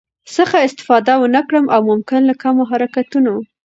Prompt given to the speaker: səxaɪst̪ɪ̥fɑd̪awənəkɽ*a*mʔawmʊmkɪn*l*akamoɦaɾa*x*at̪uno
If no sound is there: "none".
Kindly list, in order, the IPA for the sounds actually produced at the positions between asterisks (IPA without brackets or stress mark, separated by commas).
ə, l, k